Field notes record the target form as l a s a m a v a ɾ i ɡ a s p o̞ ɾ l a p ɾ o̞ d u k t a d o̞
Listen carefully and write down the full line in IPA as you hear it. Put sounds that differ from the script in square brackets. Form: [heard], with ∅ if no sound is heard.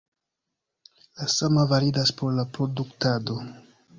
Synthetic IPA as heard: l a s a m a v a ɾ i [d] a s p o̞ ɾ l a p ɾ o̞ d u k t a d o̞